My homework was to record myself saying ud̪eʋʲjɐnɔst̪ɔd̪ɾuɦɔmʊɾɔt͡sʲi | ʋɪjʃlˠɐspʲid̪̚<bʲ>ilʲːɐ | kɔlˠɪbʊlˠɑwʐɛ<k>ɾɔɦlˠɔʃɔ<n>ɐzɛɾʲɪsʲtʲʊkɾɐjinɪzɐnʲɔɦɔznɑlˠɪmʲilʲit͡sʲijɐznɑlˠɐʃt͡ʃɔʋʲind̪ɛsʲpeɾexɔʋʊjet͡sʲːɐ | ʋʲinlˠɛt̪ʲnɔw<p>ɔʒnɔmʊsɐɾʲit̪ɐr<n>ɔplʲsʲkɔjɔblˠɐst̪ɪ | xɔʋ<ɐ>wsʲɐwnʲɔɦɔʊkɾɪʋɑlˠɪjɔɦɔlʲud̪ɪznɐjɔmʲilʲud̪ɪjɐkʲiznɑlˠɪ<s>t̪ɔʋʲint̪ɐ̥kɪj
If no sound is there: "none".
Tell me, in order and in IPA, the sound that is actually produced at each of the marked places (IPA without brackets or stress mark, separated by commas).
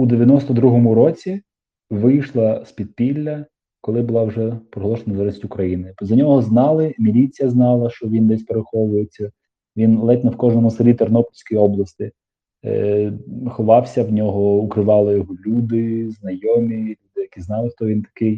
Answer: pʲ, p, n, k, n, ɑ, x